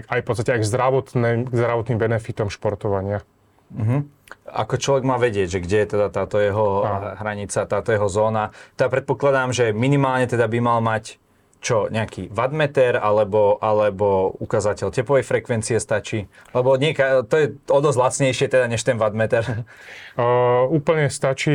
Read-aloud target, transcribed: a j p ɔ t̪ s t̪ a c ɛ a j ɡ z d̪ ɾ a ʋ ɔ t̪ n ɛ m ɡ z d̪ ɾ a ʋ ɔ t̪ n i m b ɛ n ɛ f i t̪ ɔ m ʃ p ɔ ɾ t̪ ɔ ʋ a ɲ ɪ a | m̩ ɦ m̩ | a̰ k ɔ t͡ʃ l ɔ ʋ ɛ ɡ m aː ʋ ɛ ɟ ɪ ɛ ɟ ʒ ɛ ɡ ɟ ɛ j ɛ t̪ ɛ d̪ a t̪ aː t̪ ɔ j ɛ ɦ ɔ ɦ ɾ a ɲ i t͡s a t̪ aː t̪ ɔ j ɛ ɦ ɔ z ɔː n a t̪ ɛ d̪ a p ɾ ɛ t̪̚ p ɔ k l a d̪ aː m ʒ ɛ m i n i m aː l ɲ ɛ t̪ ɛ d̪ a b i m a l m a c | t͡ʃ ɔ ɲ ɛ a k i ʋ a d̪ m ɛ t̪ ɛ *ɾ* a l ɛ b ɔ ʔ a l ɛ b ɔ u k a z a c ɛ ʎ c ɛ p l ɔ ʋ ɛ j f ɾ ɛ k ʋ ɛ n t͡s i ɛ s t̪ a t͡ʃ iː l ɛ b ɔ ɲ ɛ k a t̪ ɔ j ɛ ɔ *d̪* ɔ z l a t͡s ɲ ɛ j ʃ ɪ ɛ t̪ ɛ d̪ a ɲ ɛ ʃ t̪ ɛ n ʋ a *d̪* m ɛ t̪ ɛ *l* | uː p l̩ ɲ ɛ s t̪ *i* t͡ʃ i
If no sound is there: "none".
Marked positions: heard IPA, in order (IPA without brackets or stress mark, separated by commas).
ɾ, d̪, d̪, ɾ, a